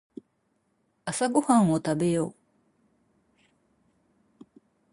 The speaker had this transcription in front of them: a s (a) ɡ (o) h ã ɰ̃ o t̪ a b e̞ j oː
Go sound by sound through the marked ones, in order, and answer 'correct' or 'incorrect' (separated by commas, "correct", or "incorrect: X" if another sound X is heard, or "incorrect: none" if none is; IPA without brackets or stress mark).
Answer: correct, correct